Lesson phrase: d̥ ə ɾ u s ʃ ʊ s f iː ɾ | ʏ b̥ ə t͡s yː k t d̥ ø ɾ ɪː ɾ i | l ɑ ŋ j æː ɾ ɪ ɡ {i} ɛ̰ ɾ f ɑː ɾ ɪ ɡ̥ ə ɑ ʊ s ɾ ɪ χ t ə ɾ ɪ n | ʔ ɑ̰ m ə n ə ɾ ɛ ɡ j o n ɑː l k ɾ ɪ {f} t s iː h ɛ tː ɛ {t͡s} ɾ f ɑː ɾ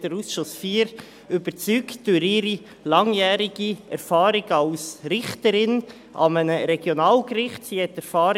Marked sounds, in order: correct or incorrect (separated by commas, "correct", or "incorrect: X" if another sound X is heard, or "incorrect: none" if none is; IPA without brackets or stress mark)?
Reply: correct, incorrect: χ, incorrect: none